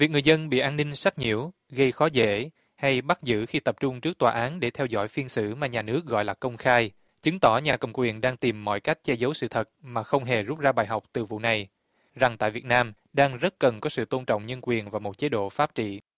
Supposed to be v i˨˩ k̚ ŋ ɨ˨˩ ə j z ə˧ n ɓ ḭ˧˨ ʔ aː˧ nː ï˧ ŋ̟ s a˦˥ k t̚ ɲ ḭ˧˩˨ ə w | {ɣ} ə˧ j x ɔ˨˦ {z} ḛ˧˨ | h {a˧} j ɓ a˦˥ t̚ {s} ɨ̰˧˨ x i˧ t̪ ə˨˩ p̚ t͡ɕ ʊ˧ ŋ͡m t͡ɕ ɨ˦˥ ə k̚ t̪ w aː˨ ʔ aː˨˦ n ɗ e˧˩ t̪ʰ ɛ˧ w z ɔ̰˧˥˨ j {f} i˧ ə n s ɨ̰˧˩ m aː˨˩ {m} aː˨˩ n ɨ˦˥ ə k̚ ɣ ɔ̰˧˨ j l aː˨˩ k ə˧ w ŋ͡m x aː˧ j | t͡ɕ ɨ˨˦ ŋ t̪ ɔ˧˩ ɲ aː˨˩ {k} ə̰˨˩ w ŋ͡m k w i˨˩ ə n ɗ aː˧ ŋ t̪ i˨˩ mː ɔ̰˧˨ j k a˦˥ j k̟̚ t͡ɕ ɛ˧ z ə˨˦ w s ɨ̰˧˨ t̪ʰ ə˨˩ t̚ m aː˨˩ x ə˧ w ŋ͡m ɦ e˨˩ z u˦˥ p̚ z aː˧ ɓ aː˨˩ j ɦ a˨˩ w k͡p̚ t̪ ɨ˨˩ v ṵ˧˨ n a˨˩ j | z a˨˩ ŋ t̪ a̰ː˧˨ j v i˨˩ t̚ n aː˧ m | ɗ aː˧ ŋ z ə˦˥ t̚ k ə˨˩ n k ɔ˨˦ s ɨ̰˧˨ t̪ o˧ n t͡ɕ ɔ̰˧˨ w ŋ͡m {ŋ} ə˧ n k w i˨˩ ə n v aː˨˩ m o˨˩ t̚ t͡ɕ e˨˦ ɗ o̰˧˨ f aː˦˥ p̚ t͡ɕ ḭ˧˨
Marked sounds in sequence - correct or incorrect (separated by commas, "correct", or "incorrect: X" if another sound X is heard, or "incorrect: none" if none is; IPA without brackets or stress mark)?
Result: correct, correct, correct, incorrect: z, correct, incorrect: ɲ, correct, incorrect: ɲ